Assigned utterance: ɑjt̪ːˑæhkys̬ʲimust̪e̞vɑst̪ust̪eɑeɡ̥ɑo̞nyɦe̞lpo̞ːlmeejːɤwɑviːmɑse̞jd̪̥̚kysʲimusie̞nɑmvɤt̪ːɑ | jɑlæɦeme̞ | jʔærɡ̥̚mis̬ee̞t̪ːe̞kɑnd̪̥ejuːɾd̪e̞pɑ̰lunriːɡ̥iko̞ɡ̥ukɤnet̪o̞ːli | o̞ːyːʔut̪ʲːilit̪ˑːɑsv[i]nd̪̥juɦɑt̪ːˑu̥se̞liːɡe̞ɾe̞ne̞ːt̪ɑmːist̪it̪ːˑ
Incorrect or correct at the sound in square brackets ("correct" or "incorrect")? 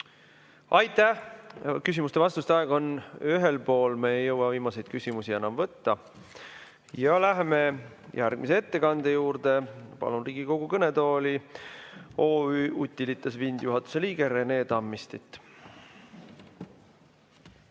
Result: correct